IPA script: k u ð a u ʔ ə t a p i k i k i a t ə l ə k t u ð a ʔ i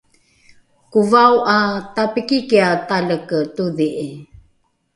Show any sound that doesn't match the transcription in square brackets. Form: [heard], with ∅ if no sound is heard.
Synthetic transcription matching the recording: k u [v] a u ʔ [a] t a p i k i k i a t [a] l ə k t u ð [i] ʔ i